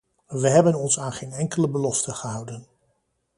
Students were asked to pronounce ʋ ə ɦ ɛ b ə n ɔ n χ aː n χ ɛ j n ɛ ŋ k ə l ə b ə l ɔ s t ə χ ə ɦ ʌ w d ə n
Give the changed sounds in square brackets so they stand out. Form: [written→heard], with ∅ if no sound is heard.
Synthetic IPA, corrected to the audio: ʋ ə ɦ ɛ b ə n ɔ n [χ→s] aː n χ [ɛ→e] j n ɛ ŋ k ə l ə b ə l ɔ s t ə χ ə ɦ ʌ w d ə n